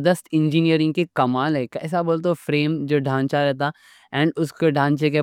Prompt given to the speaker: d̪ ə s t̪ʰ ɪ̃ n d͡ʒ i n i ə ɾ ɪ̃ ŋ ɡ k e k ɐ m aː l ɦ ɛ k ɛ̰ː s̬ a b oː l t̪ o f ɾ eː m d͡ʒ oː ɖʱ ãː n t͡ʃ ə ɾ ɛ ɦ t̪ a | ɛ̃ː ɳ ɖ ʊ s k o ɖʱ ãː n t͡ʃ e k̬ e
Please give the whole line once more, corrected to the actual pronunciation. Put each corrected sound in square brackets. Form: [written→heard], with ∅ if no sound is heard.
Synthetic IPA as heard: d̪ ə s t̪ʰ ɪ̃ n d͡ʒ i n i ə ɾ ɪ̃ ŋ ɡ k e k ɐ m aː l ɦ ɛ k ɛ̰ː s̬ a b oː l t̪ o f ɾ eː m d͡ʒ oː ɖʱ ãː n t͡ʃ [ə→a] ɾ ɛ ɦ t̪ a | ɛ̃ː ɳ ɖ ʊ s k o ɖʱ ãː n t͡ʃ e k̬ e